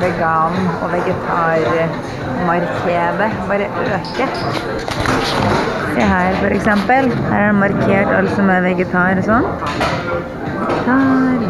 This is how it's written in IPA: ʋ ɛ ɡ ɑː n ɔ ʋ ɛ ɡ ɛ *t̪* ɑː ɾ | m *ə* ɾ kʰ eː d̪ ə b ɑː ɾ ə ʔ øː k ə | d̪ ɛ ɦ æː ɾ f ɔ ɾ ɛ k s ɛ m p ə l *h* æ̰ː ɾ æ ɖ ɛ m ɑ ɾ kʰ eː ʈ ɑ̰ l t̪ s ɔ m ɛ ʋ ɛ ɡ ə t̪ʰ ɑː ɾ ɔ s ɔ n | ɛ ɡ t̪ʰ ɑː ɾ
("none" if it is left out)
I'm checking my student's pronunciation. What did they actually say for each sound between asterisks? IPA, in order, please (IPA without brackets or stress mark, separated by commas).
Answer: t̪ʰ, ɑ, h